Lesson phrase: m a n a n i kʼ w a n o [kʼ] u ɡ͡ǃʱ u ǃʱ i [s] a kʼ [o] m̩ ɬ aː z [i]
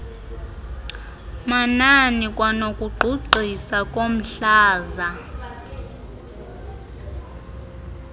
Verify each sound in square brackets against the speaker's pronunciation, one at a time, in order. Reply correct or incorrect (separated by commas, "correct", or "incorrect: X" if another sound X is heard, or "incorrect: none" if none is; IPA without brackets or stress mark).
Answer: correct, correct, correct, incorrect: a